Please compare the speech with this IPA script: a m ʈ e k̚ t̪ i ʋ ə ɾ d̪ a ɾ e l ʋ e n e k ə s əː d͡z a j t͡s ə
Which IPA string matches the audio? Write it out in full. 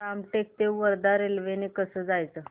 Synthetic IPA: a m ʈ e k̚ t̪ e ʋ ə ɾ d̪ a ɾ e l ʋ e n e k ə s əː d͡z a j t͡s ə